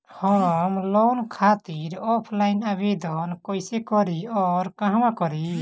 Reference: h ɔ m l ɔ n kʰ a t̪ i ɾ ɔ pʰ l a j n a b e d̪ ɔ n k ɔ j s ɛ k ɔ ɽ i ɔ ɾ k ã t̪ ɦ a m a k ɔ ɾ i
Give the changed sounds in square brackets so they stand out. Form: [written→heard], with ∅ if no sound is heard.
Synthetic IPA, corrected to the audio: h ɔ m l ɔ n kʰ a t̪ i ɾ ɔ pʰ l a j n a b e d̪ ɔ n k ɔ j s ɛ k ɔ [ɽ→ɾ] i ɔ ɾ k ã [t̪→∅] ɦ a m a k ɔ ɾ i